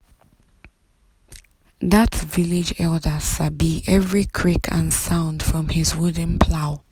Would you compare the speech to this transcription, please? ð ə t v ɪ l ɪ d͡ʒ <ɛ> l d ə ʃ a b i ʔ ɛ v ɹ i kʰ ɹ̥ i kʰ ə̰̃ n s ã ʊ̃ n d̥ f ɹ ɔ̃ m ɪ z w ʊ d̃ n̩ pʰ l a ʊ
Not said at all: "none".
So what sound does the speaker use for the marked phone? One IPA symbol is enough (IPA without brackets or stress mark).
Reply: ɛ